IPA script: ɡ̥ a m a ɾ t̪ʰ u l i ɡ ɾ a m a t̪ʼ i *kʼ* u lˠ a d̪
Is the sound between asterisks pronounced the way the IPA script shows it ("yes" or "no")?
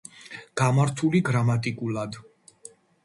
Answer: yes